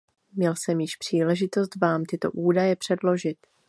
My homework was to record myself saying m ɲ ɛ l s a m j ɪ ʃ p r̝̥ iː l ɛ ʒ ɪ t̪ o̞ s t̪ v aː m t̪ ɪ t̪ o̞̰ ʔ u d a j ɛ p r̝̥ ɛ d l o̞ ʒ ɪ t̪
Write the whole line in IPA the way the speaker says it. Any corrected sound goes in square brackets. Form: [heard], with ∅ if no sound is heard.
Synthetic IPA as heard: m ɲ ɛ l s [ɛ] m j ɪ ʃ p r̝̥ iː l ɛ ʒ ɪ t̪ o̞ s t̪ v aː m t̪ ɪ t̪ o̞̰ ʔ [uː] d a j ɛ p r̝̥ ɛ d l o̞ ʒ ɪ t̪